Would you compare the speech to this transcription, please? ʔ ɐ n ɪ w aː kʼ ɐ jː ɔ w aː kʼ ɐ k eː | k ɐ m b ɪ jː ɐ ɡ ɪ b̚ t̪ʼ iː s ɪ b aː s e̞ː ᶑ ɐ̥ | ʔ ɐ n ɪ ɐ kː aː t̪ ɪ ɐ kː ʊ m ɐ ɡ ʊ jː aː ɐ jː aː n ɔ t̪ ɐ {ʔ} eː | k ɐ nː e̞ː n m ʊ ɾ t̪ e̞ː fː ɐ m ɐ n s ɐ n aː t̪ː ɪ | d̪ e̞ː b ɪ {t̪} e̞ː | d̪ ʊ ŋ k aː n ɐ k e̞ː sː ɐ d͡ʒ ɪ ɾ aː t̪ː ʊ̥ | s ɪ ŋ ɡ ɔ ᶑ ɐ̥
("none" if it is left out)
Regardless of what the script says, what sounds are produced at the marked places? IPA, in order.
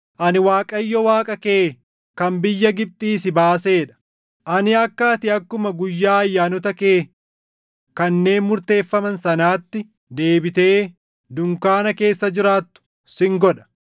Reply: k, t̪

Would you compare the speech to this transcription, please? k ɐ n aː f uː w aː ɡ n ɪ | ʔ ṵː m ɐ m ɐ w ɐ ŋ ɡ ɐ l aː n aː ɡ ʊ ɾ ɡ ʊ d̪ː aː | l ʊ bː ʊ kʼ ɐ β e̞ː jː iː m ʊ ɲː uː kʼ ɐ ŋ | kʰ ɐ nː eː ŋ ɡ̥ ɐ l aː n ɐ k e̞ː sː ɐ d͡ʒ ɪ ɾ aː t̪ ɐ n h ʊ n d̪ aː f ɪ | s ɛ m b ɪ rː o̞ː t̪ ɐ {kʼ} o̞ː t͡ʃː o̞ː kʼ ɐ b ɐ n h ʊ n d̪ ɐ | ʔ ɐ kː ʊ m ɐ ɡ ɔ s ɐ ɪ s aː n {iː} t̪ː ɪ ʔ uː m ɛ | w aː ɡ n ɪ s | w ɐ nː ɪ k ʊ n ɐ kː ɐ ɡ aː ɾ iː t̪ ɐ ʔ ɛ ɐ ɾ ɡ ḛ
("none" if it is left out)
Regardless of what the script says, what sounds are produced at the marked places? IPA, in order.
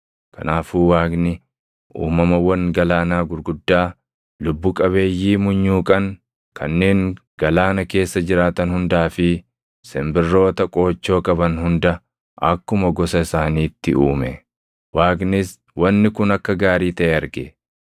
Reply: kʼ, iː

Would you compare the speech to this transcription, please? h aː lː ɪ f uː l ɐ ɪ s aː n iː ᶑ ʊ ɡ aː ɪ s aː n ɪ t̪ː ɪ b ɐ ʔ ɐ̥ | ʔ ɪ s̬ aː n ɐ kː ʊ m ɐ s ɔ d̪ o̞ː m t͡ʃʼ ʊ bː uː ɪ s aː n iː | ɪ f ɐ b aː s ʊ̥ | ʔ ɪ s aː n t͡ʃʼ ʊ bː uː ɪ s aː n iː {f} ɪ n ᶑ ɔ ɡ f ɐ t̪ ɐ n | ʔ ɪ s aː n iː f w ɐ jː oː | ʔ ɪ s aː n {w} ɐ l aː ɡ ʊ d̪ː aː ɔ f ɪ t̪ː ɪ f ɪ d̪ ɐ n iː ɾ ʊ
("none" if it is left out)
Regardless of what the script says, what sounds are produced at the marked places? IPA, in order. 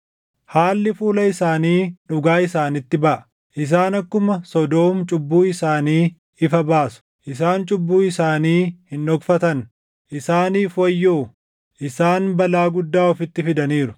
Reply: h, b

